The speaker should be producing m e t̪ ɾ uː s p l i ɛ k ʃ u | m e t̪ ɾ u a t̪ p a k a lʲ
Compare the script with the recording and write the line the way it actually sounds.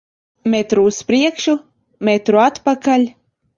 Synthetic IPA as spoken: m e t̪ ɾ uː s p ɾ i ɛ k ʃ u | m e t̪ ɾ u a t̪ p a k a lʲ